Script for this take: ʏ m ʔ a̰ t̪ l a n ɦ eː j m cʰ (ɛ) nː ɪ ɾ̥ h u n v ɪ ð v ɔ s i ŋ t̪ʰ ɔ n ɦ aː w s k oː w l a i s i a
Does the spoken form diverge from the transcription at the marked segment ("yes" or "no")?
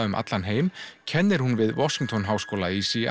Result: no